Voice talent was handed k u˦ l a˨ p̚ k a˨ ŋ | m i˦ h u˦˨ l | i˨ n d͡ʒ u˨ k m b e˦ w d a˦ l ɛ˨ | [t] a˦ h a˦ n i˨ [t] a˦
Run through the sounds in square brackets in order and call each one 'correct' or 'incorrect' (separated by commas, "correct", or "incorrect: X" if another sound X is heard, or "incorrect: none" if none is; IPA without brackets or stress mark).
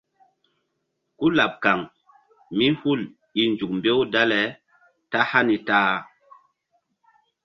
correct, correct